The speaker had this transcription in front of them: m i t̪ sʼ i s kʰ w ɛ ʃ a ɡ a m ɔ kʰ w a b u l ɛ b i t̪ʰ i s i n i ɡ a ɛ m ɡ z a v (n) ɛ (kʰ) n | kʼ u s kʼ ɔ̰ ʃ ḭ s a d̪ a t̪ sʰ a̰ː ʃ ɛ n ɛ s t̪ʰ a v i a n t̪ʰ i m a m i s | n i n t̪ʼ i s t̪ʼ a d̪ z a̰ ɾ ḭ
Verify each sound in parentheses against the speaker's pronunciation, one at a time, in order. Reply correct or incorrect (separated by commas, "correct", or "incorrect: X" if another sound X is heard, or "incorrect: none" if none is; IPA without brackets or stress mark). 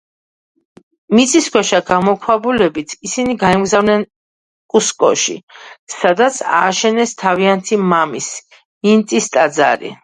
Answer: correct, incorrect: none